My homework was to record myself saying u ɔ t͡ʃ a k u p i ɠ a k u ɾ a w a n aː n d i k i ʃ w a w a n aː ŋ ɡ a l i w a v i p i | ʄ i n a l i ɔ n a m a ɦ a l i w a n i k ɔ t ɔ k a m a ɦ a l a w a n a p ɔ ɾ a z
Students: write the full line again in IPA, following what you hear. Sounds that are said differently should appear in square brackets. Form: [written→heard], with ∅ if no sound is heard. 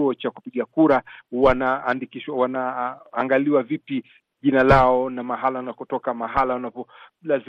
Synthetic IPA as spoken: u ɔ t͡ʃ a k u p i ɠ a k u ɾ a w a n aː n d i k i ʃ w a w a n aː ŋ ɡ a l i w a v i p i | ʄ i n a l [i→a] ɔ n a m a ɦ a l [i→a] w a n [i→a] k ɔ t ɔ k a m a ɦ a l a w a n a p ɔ [ɾ→l] a z